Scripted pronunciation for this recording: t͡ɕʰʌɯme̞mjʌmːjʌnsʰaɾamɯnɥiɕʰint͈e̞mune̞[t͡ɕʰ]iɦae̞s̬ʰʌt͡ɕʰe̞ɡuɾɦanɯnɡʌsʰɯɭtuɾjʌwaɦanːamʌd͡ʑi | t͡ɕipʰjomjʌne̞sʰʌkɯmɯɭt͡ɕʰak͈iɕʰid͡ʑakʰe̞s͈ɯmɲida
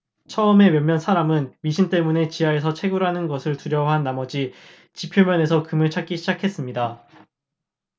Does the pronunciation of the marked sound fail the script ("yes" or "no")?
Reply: yes